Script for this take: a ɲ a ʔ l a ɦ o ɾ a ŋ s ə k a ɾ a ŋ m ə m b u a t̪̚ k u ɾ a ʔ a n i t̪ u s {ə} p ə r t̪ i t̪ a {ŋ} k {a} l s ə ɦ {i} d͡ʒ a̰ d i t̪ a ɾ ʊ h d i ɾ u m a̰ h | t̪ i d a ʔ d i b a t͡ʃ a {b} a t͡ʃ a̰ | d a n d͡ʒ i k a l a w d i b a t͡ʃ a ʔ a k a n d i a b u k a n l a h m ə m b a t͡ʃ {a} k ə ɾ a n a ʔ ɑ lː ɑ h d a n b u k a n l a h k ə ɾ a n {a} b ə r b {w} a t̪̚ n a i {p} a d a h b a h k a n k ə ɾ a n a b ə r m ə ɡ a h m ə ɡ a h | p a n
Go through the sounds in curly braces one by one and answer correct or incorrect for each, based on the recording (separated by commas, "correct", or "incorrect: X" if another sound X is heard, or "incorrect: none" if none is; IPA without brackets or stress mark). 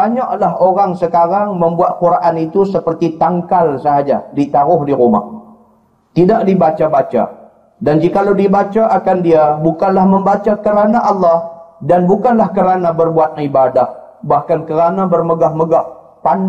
correct, correct, correct, incorrect: a, correct, correct, correct, incorrect: u, incorrect: b